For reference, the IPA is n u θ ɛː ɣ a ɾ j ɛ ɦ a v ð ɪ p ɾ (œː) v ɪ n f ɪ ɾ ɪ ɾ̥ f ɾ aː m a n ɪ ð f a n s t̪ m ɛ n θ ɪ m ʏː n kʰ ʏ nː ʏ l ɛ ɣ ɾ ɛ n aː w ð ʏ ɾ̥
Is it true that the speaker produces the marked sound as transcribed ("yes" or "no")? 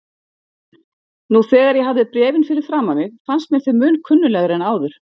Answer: no